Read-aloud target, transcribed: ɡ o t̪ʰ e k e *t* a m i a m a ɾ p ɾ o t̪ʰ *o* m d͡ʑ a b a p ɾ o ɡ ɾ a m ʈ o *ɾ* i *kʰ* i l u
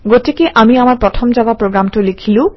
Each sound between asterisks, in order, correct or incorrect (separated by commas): incorrect, correct, incorrect, correct